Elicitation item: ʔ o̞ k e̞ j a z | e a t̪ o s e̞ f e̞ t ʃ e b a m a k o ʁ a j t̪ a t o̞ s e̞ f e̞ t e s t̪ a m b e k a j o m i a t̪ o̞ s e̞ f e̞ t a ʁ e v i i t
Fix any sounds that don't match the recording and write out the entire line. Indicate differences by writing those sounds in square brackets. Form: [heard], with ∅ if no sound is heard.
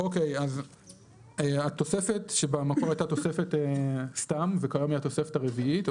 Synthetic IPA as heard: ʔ o̞ k e̞ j a z | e a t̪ o s e̞ f e̞ t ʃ e b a m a k o ʁ a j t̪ a t o̞ s e̞ f e̞ t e s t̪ a m [v] e k a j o m i a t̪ o̞ s e̞ f e̞ t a ʁ e v i i t

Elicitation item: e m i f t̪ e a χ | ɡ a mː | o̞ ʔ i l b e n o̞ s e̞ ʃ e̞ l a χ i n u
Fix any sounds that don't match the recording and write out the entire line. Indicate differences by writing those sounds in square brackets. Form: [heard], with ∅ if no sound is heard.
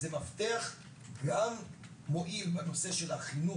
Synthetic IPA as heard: e m [a] f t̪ e a χ | ɡ a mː | o̞ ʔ i l b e n o̞ s e̞ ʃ e̞ l a χ i n u

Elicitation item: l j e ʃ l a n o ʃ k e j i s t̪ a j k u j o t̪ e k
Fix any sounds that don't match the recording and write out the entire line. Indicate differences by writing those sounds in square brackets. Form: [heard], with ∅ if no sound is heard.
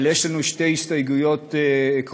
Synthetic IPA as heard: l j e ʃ l a n [u] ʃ [t] e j i s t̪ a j [ɡ] u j o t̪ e k

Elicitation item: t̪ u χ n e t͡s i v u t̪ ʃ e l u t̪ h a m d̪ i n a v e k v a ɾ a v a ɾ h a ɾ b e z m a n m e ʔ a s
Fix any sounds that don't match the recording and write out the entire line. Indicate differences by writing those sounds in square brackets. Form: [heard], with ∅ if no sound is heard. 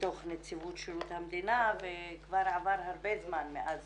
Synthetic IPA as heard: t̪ [o] χ n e t͡s i v u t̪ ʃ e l u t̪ h a m d̪ i n a v e k v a ɾ a v a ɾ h a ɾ b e z m a n m e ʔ a [z]

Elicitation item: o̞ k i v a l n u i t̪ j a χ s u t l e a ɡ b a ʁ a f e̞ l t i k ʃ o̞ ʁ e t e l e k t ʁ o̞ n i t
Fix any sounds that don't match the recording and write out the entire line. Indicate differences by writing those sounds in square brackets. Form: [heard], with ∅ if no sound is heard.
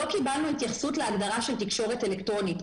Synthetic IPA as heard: o̞ k i [b] a l n u i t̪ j a χ s u t l e a ɡ [d] a ʁ a [ʃ] e̞ l t i k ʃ o̞ ʁ e t e l e k t ʁ o̞ n i t

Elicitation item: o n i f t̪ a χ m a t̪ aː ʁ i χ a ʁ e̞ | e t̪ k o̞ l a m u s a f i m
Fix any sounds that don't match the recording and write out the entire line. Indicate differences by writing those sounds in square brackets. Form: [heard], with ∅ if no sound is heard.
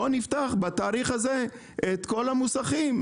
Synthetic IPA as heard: o n i f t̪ a χ [b] a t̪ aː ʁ i χ a [z] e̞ | e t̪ k o̞ l a m u s a [χ] i m

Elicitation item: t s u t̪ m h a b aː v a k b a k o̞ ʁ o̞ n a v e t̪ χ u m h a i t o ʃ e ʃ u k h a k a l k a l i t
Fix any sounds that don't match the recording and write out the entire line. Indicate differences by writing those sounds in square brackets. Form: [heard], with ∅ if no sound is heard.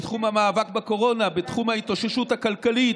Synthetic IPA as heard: t [χ] u [∅] m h a [m] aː v a k b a k o̞ ʁ o̞ n a [b] e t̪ χ u m h a i t o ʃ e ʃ u [t] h a k a l k a l i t

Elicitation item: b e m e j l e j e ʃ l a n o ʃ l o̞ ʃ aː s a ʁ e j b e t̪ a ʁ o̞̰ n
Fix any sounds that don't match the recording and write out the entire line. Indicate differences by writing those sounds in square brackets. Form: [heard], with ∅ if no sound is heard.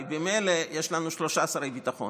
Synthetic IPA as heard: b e m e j l e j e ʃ l a n [u] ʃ l o̞ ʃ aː s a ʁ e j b [i] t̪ a [χ] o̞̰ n

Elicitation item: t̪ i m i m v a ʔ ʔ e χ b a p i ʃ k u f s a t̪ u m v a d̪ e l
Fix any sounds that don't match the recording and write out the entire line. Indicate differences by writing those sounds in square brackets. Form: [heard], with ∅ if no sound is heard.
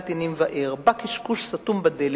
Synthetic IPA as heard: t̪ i [n] i m v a ʔ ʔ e [ʁ] b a [k] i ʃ k u [ʃ] s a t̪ u m [b] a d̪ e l

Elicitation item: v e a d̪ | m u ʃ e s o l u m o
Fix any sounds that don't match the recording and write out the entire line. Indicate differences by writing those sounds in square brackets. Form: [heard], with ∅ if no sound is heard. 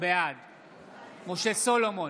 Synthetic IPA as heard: [b] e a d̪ | m [o] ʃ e s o l [o] m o

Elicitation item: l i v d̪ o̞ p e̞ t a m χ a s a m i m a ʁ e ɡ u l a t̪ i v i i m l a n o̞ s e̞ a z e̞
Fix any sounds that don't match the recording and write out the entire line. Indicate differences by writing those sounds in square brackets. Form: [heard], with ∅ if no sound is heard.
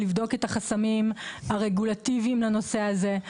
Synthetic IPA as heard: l i v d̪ o̞ [k] e̞ t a [∅] χ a s a m i m a ʁ e ɡ u l a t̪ i v i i m l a n o̞ s e̞ a z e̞

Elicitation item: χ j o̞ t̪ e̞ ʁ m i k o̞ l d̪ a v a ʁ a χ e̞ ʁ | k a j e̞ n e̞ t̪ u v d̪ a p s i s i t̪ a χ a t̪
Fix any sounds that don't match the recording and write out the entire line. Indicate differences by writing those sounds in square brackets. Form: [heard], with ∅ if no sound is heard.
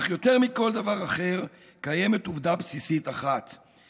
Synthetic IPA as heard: χ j o̞ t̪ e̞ ʁ m i k o̞ l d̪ a v a ʁ a χ e̞ ʁ | k a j e̞ [m] e̞ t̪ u v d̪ a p s i s i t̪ a χ a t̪

